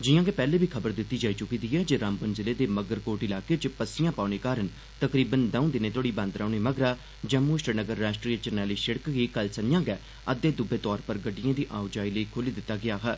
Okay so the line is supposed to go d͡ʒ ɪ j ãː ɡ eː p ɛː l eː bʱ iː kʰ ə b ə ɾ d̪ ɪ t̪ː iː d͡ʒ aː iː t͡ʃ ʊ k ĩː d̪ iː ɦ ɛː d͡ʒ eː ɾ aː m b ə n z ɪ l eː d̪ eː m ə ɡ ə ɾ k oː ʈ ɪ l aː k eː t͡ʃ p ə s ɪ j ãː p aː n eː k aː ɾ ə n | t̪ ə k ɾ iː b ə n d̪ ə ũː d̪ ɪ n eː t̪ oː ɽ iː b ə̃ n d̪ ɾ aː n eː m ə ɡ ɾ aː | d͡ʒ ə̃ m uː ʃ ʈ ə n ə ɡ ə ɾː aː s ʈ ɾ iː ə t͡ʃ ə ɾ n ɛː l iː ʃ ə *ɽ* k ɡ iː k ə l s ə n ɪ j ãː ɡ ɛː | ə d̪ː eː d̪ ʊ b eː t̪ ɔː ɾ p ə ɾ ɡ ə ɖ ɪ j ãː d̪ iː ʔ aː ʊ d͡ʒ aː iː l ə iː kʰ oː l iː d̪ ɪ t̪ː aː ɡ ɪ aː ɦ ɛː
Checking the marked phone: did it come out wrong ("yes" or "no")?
no